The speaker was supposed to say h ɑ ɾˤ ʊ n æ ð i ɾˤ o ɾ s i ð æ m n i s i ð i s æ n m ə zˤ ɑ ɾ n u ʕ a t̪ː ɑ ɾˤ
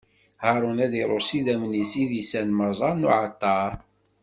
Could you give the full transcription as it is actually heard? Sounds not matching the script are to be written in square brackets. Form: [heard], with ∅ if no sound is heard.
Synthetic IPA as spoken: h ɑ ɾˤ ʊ n æ ð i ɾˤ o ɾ s i ð æ m n i s i ð i s æ n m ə zˤ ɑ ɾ n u ʕ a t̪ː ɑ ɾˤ